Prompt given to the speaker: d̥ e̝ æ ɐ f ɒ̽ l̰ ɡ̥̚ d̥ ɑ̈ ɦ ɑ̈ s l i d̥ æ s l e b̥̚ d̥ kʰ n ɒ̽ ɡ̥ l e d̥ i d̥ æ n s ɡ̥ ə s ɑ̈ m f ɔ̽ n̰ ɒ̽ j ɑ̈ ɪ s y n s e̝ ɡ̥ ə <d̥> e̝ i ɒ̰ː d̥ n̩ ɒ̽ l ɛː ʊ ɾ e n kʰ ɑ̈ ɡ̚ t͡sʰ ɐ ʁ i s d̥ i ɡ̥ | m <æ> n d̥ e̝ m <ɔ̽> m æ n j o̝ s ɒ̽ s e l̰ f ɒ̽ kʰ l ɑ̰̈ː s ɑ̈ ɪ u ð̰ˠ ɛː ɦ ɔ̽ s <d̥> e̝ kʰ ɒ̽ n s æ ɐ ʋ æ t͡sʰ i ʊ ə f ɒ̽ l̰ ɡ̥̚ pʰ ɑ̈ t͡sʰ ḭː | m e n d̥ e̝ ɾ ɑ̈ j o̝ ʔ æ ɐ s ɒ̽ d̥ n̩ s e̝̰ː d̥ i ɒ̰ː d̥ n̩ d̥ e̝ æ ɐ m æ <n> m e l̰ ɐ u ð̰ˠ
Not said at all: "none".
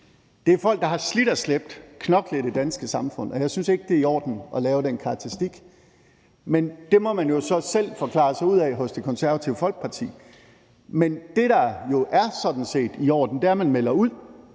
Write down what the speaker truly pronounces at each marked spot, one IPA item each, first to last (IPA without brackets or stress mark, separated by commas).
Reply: d̥, e, ɒ̽, d̥, n